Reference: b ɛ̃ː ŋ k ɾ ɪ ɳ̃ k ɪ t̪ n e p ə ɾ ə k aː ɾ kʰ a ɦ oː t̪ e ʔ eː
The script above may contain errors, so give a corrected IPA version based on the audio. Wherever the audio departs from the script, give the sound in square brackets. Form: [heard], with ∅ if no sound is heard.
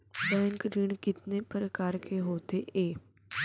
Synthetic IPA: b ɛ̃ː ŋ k ɾ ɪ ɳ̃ k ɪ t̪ n e p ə ɾ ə k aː ɾ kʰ [e] ɦ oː t̪ e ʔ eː

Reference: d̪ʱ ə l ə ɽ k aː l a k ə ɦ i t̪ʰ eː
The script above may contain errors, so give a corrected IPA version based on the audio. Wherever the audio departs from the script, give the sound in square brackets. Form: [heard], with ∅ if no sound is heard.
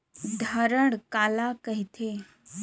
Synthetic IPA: d̪ʱ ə [ɾ] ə ɽ k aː l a k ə ɦ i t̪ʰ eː

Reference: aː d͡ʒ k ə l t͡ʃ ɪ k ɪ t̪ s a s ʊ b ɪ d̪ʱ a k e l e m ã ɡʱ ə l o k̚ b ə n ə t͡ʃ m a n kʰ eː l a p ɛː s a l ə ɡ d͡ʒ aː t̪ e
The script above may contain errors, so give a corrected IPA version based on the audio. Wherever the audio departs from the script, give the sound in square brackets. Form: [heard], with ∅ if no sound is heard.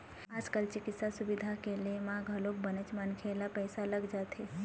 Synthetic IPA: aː d͡ʒ k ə l t͡ʃ ɪ k ɪ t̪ s a s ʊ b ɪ d̪ʱ a k e l e m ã ɡʱ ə l o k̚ b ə n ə t͡ʃ m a n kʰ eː l a p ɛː s a l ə ɡ d͡ʒ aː t̪ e

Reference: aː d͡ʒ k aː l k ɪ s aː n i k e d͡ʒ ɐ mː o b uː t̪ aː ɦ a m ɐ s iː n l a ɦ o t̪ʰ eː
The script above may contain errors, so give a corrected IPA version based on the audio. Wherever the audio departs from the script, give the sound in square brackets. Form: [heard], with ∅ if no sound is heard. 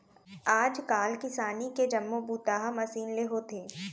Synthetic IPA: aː d͡ʒ k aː l k ɪ s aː n i k e d͡ʒ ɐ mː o b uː t̪ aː ɦ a m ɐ s iː n l [e] ɦ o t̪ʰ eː

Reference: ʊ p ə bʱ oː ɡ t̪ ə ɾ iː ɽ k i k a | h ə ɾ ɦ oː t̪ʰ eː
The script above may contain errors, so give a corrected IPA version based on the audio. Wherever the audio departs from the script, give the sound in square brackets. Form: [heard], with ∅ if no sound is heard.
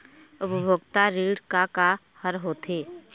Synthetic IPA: ʊ p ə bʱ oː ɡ t̪ [a] ɾ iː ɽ k [a] k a | h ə ɾ ɦ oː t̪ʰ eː

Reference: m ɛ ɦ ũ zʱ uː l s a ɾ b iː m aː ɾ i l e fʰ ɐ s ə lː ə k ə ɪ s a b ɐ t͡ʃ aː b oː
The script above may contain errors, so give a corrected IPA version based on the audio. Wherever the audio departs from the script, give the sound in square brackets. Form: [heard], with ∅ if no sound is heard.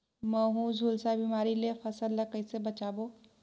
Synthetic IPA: m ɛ ɦ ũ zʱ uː l s a [∅] b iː m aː ɾ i l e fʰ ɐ s ə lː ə k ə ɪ s [e] b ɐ t͡ʃ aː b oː

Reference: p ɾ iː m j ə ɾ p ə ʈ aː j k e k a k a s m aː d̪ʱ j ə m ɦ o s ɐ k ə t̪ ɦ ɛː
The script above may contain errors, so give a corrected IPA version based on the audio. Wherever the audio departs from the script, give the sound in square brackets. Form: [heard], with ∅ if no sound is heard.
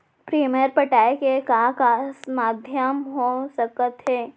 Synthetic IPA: p ɾ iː m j ə ɾ p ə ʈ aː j k e k a k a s m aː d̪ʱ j ə m ɦ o s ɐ k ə t̪ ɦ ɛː

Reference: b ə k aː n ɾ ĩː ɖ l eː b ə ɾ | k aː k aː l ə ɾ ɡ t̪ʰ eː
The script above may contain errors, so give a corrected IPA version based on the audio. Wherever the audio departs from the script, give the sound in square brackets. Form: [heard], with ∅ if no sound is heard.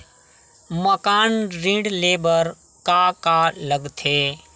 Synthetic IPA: [m] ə k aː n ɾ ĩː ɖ l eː b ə ɾ | k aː k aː l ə [∅] ɡ t̪ʰ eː

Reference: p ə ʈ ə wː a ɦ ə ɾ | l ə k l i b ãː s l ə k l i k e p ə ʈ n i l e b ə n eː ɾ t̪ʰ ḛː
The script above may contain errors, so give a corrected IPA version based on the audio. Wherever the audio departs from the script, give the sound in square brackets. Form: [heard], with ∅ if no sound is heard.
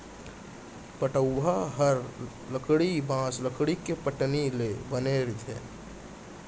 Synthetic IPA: p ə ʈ ə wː a ɦ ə ɾ | l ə k [ɽ] i b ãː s l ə k [ɽ] i k e p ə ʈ n i l e b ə n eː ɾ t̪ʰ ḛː

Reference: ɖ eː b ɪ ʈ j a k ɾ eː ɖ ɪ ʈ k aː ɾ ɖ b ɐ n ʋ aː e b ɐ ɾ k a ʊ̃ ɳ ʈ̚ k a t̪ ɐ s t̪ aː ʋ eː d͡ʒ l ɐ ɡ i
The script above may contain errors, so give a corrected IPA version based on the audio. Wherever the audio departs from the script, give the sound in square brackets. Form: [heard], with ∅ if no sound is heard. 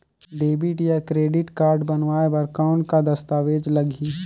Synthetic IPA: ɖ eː b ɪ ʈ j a k ɾ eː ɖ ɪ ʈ k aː ɾ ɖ b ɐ n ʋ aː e b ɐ ɾ k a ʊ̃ ɳ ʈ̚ k a [d̪] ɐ s t̪ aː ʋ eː d͡ʒ l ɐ ɡ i

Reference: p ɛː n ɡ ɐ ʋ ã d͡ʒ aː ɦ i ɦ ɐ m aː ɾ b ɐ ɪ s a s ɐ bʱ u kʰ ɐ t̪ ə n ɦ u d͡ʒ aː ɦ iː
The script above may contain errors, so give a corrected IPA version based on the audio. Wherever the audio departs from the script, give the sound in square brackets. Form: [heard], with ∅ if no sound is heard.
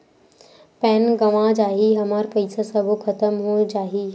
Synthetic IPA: p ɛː n ɡ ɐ ʋ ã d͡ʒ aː ɦ i ɦ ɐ m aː ɾ [p] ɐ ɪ s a s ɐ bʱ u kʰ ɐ t̪ ə [m] ɦ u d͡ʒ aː ɦ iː

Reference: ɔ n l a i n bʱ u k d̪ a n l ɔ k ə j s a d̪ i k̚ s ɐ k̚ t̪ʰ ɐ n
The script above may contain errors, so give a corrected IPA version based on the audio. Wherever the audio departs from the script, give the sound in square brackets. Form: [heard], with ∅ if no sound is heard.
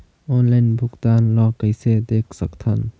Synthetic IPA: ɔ n l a [j] n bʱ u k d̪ a n l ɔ k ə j s [e] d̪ [e] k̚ s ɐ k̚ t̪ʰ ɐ n

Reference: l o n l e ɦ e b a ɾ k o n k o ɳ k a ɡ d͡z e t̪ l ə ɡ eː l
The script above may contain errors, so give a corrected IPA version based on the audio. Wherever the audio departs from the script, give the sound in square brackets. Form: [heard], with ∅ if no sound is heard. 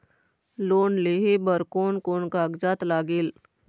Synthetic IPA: l o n l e ɦ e b [ə] ɾ k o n k o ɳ k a ɡ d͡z [a] t̪ l [a] ɡ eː l

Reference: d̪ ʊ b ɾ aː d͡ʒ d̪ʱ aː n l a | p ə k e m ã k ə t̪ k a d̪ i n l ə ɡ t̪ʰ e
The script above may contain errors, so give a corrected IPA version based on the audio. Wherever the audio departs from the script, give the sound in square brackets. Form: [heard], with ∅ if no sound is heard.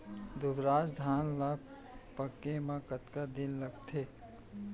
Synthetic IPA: d̪ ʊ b ɾ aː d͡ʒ d̪ʱ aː n l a | p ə k e m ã k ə t̪ k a d̪ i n l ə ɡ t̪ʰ e

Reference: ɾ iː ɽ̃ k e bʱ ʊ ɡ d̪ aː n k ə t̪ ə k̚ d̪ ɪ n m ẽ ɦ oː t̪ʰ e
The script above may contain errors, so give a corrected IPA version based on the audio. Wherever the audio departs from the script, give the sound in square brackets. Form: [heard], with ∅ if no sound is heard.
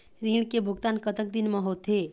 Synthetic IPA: ɾ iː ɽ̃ k e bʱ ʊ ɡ [t̪] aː n k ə t̪ ə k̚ d̪ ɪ n m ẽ ɦ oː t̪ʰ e

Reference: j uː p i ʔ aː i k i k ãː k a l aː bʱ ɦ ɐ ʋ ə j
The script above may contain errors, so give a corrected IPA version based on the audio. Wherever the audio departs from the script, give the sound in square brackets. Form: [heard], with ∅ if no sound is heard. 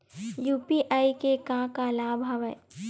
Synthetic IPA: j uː p i ʔ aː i k [e] k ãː k a l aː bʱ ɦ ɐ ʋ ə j

